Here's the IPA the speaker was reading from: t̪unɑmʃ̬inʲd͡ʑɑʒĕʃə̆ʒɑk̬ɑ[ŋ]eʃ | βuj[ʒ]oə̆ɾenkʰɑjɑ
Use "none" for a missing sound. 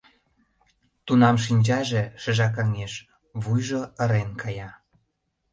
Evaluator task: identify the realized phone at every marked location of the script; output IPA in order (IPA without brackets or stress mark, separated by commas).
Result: ŋ, ʒ